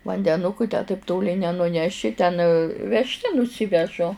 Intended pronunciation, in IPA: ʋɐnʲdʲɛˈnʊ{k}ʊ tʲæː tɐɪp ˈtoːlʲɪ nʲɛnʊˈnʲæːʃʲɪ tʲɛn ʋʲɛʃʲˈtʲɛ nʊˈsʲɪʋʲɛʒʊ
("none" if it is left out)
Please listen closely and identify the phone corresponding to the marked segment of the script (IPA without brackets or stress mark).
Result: k